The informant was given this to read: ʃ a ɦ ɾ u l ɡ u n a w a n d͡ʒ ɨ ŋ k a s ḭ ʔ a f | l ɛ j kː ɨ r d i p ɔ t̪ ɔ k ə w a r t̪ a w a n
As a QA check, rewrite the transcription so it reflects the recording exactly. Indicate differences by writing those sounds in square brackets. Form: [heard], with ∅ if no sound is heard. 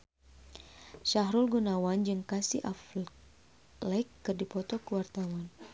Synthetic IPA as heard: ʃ a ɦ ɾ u l ɡ u n a w a n d͡ʒ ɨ ŋ k a s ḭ ʔ a f | l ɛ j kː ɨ r d i p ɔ t̪ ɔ k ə w a r t̪ a w a n